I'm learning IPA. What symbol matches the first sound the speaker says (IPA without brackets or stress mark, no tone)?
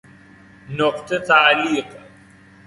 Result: n